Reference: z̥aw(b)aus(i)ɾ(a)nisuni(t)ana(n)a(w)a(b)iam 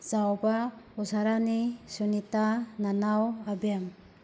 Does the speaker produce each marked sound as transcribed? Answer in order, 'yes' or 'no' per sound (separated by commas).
yes, no, yes, yes, yes, yes, yes